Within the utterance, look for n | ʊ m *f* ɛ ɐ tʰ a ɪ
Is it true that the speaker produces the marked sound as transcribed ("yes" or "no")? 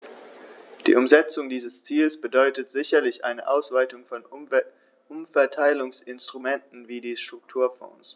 yes